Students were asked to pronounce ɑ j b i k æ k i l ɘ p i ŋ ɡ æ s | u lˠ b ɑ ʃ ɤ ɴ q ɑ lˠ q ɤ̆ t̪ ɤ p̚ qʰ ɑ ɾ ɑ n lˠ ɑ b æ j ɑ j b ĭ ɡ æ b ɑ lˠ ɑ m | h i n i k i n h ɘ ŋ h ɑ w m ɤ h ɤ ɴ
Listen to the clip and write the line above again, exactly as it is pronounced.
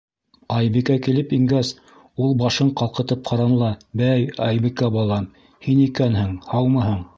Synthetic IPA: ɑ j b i k æ k i l ɘ p i ŋ ɡ æ s | u lˠ b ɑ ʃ ɤ ɴ q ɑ lˠ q ɤ̆ t̪ ɤ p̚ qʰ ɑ ɾ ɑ n lˠ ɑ b æ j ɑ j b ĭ k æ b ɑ lˠ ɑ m | h i n i k æ n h ɘ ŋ h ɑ w m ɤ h ɤ ɴ